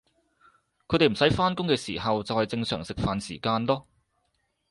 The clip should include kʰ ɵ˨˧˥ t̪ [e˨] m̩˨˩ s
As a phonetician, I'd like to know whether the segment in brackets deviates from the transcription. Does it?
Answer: no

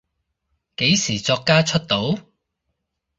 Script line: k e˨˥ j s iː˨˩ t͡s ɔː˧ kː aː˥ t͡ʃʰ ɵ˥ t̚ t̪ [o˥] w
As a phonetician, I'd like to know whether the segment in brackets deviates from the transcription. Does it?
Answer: yes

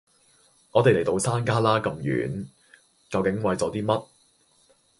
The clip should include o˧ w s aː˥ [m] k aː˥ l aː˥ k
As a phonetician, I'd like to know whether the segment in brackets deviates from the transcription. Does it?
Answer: yes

